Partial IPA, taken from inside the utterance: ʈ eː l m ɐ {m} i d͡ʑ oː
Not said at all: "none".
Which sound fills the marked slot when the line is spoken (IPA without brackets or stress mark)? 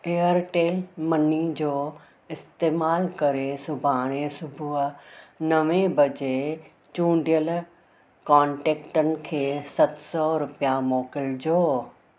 n